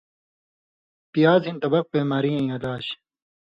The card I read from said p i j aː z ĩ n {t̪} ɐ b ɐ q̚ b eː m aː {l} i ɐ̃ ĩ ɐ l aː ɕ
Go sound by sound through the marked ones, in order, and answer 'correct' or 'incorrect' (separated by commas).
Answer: correct, incorrect